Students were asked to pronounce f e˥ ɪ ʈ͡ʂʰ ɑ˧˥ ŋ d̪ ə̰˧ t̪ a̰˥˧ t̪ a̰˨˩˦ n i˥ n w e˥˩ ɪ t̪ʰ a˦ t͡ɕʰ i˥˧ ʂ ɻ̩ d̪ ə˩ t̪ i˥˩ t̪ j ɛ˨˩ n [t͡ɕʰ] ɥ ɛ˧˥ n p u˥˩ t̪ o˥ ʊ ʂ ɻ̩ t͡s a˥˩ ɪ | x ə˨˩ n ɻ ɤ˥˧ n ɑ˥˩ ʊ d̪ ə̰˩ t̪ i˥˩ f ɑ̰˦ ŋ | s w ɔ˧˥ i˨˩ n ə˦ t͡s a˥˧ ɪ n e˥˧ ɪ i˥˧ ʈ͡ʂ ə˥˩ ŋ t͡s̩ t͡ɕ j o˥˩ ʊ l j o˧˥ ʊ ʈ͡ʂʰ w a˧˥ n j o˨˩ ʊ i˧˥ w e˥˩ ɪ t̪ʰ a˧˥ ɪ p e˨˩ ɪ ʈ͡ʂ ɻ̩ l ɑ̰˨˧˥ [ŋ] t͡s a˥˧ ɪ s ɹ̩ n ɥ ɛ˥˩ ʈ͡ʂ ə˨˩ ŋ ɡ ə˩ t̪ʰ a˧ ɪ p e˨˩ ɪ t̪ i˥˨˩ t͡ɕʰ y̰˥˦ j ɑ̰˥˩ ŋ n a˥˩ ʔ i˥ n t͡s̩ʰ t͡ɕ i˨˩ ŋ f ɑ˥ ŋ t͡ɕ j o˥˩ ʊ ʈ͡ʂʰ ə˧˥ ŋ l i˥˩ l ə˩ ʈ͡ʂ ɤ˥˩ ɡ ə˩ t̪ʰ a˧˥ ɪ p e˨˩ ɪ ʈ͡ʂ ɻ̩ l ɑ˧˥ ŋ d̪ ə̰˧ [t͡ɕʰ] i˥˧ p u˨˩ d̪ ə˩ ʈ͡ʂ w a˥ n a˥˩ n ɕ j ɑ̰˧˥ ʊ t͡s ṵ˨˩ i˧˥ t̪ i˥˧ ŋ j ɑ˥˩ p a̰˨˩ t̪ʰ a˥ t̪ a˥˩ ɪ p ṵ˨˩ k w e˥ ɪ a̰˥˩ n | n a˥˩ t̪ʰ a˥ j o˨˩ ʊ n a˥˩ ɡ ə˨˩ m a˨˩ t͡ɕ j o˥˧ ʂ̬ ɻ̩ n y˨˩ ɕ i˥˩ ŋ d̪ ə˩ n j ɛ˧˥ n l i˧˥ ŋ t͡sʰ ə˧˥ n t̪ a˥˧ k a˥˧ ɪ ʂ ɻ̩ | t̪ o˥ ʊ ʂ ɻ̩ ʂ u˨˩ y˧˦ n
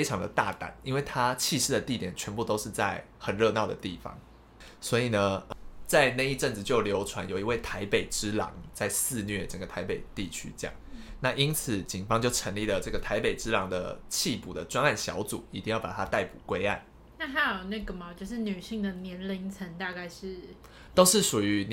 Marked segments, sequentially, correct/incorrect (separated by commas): correct, correct, correct